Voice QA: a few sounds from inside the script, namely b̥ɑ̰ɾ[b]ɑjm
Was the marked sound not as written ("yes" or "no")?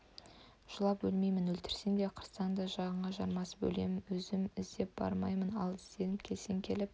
yes